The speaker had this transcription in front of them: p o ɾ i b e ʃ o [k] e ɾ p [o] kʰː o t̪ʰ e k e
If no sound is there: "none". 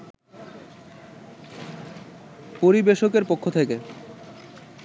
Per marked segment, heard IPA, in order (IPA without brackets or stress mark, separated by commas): k, o